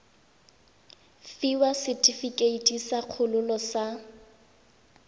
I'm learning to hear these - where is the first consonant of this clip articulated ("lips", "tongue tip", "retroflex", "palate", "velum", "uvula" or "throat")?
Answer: lips